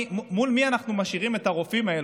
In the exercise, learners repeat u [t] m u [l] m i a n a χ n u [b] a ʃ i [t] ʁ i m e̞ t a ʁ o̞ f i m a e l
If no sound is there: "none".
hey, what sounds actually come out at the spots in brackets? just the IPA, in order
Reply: none, l, m, none

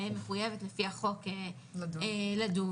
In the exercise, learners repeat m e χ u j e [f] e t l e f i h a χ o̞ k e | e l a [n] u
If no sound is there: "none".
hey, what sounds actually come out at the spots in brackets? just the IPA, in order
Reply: v, d

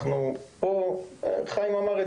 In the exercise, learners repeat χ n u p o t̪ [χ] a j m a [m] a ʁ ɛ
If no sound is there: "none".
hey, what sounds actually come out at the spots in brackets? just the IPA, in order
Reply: χ, m

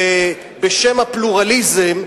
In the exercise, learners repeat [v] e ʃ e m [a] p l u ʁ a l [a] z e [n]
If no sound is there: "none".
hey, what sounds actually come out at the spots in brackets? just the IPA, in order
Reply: b, a, i, m

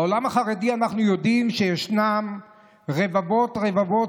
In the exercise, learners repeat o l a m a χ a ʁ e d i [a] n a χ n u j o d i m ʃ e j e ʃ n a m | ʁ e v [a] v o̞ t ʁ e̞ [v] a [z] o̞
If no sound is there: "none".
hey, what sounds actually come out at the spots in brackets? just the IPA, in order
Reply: a, a, v, v

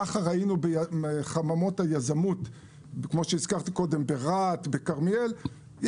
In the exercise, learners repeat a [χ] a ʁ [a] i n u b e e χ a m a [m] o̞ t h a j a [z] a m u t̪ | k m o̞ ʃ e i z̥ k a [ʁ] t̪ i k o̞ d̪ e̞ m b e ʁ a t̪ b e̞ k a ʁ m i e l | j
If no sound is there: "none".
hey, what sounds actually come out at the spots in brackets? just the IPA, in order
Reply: χ, a, m, z, ʁ

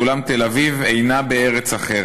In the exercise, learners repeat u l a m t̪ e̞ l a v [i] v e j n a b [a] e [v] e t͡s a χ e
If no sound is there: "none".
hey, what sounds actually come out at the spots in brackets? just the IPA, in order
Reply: i, e, ʁ

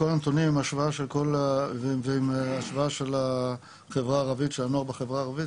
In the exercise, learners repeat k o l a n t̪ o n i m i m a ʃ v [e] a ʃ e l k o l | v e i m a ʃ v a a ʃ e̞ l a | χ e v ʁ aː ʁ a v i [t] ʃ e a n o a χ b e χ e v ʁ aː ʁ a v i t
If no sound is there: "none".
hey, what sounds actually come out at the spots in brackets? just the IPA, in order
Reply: a, t

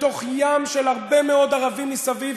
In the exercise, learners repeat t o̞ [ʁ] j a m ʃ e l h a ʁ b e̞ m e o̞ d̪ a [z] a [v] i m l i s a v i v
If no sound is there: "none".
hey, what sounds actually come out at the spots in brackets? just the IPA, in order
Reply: χ, ʁ, v

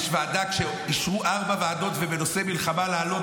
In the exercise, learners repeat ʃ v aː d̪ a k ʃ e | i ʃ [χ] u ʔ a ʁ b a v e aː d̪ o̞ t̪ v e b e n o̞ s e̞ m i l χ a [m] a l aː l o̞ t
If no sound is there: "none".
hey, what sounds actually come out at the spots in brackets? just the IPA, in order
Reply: ʁ, m

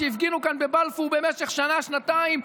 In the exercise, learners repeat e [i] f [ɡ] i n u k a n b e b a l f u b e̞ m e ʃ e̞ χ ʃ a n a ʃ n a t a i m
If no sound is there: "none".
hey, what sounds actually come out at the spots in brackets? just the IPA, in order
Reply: i, ɡ

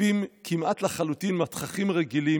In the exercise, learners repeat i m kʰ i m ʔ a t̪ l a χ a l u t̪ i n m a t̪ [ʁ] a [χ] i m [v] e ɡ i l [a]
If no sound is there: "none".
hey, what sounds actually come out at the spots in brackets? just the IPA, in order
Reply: χ, χ, ʁ, i

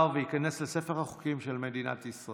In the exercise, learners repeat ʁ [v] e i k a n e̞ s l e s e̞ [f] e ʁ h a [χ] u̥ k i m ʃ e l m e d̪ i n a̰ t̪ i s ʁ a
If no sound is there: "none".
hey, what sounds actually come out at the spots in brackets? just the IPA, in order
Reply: v, f, χ

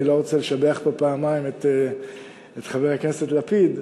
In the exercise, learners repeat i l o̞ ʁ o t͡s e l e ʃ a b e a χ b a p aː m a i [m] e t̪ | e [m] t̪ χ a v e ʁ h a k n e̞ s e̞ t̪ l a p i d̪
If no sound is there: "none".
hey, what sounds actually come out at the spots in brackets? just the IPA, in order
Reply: m, none

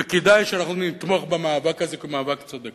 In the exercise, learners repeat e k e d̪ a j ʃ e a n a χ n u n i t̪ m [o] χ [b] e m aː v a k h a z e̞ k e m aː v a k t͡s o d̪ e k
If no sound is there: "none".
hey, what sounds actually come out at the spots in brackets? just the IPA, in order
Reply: o, b

